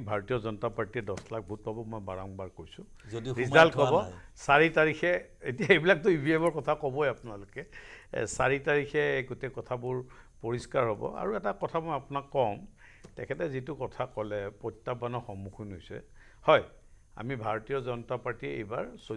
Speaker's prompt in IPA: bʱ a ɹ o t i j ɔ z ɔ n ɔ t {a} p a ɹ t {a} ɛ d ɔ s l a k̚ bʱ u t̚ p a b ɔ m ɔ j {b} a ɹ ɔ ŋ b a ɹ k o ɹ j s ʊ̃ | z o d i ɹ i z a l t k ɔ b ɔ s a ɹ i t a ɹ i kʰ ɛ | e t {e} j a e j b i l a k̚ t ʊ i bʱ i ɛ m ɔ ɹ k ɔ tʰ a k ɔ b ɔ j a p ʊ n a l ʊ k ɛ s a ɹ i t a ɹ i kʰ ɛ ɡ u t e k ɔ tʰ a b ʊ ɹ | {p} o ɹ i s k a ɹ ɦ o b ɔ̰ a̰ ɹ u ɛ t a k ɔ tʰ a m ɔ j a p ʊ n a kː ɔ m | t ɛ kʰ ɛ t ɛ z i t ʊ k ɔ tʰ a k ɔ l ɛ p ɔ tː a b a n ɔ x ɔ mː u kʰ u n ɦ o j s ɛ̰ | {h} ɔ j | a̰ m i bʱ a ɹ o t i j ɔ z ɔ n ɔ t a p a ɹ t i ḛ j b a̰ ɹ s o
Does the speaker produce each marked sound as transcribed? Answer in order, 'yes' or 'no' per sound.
yes, no, yes, no, yes, yes

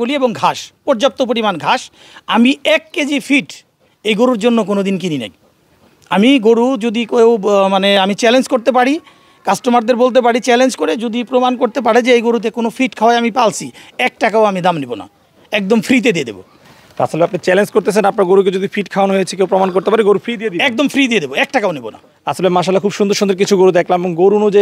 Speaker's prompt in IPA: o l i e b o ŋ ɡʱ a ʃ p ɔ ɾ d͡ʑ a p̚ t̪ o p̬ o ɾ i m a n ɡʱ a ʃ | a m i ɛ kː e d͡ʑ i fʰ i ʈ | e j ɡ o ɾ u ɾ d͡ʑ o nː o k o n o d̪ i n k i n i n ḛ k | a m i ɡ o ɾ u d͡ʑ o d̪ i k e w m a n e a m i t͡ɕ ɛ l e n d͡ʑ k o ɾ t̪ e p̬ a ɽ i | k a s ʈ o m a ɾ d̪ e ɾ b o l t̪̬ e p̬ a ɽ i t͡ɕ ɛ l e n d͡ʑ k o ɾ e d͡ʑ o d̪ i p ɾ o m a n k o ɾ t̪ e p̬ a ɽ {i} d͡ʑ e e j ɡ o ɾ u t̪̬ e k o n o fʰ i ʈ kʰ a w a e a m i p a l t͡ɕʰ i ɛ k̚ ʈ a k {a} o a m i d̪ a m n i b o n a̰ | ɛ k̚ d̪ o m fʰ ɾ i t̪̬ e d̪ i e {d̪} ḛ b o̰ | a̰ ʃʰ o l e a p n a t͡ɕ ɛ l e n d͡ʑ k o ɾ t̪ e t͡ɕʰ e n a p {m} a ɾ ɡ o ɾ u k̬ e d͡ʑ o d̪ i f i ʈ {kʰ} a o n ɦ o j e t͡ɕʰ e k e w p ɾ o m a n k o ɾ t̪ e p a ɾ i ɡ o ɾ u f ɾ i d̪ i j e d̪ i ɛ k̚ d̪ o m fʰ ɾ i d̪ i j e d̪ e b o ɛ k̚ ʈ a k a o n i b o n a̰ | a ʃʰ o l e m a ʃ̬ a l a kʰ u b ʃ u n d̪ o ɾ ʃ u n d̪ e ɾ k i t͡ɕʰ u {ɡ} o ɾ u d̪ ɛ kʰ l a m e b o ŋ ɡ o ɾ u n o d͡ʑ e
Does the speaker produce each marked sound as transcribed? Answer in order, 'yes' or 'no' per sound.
no, yes, yes, no, yes, yes

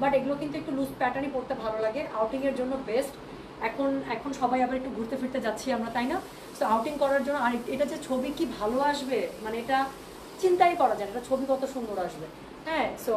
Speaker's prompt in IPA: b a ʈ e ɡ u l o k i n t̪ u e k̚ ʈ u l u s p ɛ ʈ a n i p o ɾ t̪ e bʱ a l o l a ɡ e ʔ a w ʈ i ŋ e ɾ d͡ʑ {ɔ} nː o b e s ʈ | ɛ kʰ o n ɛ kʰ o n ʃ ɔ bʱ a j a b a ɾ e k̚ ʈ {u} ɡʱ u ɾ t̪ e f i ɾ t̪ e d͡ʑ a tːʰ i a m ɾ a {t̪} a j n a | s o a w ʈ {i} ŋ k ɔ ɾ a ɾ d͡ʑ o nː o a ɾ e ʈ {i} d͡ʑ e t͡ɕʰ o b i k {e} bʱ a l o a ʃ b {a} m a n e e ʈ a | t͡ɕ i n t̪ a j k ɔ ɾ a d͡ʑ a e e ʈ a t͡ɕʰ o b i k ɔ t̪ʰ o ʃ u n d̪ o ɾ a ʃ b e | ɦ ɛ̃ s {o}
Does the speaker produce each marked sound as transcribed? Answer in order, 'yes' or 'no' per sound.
no, yes, yes, yes, no, no, no, yes

